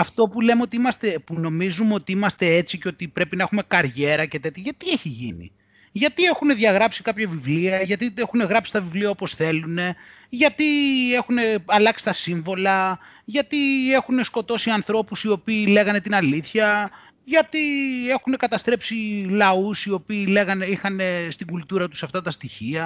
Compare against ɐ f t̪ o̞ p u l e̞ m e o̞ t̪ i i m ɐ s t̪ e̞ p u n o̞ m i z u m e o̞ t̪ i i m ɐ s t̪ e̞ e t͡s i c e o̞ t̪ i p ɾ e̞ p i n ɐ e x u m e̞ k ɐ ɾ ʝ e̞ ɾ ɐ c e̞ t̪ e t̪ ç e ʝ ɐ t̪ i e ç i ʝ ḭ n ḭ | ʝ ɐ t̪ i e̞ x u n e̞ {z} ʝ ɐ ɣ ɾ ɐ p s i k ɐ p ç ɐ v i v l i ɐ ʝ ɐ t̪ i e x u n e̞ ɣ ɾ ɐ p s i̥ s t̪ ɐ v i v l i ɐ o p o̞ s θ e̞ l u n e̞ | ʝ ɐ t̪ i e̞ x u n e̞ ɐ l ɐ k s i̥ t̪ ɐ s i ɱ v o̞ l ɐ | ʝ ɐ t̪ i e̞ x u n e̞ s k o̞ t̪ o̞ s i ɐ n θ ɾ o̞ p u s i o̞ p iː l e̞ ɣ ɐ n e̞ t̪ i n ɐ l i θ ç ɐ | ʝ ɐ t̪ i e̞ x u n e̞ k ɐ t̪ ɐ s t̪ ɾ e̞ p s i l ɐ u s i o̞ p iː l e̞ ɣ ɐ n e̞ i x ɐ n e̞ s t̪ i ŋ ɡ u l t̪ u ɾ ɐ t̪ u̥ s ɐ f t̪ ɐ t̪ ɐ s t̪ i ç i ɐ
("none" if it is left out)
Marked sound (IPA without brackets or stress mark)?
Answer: ð